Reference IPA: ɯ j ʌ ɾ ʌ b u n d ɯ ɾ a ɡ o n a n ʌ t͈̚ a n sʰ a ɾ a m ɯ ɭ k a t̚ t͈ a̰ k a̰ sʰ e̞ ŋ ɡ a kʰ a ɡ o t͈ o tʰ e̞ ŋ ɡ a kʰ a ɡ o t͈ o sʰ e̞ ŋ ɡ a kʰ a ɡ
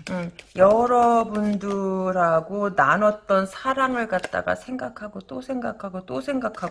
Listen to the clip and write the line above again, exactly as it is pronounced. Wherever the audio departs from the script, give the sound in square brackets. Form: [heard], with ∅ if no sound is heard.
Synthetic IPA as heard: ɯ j ʌ ɾ ʌ b u n d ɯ ɾ a ɡ o n a n ʌ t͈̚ [ʌ] n sʰ a ɾ a [ŋ] ɯ ɭ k a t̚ t͈ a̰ [ɡ] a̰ sʰ e̞ ŋ ɡ a kʰ a ɡ o t͈ o [sʰ] e̞ ŋ ɡ a kʰ a ɡ o t͈ o sʰ e̞ ŋ ɡ a kʰ a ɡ